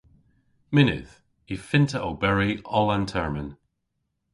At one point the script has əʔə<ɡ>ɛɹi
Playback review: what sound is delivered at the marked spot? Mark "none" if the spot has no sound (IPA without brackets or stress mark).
b